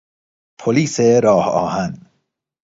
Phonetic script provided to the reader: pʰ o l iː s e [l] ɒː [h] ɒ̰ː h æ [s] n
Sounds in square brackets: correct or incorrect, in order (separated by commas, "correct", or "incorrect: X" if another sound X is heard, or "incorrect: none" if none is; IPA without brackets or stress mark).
incorrect: ɾ, correct, incorrect: none